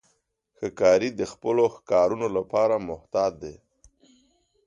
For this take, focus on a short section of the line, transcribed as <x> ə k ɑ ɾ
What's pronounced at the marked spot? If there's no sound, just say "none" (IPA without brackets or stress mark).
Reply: x